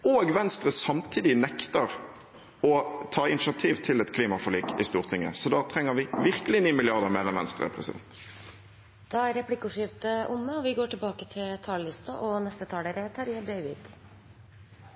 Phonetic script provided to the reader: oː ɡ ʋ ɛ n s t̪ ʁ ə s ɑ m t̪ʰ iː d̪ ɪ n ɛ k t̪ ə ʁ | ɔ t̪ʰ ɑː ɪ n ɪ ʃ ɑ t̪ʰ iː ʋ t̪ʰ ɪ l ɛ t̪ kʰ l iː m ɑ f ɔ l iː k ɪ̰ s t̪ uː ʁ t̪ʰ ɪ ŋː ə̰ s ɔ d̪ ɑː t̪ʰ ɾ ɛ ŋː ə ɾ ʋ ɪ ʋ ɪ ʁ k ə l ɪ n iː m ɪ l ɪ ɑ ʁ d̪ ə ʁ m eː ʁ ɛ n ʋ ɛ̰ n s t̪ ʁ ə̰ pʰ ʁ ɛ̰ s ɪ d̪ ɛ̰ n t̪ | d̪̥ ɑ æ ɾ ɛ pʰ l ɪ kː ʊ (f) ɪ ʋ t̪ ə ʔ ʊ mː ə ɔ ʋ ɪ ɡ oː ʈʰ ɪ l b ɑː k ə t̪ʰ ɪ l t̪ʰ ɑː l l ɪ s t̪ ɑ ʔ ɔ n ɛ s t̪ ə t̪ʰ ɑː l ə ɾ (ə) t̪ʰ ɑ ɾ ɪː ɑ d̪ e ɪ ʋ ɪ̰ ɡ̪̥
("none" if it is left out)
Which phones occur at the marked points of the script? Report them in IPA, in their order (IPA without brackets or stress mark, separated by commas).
ʂ, ə